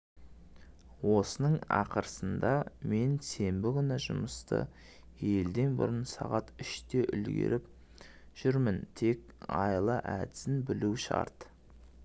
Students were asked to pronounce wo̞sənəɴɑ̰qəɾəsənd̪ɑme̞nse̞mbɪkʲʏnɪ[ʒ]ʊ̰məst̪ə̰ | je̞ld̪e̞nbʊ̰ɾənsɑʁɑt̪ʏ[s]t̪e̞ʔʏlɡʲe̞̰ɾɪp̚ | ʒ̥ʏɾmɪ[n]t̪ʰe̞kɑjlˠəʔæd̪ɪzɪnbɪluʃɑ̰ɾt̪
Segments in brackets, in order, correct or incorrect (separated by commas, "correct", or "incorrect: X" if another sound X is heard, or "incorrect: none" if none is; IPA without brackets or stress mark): correct, incorrect: ʃ, correct